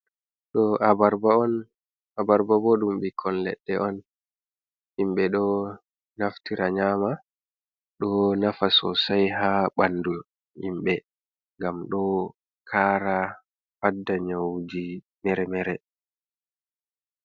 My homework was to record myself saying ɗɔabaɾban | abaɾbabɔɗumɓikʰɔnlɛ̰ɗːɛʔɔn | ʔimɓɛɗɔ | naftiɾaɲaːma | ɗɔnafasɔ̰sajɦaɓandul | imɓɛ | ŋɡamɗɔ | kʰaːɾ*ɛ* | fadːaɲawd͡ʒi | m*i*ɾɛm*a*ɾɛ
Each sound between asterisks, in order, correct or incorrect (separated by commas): incorrect, incorrect, incorrect